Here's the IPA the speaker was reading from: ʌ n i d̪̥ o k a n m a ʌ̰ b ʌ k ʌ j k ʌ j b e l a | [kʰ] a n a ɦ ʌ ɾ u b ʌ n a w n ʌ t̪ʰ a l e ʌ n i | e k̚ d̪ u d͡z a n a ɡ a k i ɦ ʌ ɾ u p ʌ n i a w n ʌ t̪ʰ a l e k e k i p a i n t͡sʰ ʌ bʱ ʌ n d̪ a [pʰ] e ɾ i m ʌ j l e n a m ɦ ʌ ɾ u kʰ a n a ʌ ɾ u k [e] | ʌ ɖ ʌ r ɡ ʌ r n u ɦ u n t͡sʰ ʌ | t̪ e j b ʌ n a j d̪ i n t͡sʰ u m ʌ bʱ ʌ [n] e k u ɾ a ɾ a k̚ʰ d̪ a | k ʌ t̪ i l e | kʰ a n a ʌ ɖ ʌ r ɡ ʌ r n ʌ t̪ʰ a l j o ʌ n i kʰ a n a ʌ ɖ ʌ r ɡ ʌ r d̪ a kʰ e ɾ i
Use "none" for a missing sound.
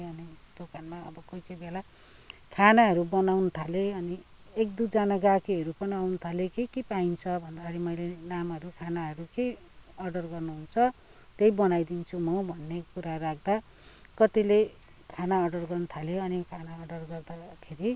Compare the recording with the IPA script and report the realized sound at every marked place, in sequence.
kʰ, kʰ, e, nː

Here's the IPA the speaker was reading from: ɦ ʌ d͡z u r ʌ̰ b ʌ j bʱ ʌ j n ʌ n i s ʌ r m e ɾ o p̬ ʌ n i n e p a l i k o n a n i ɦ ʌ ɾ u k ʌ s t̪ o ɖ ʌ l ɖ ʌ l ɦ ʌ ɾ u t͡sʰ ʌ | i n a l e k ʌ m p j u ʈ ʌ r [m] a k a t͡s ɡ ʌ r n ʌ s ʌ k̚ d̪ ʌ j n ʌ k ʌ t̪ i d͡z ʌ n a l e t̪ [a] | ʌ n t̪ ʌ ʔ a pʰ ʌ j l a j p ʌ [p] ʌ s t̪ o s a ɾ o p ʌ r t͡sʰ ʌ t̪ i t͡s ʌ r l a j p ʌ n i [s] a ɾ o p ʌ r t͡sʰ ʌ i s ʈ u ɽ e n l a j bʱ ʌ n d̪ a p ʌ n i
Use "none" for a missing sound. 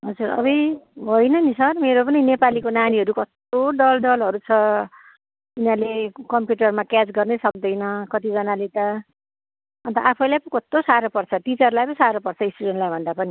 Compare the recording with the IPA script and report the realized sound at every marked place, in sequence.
m, ʌ, k, s

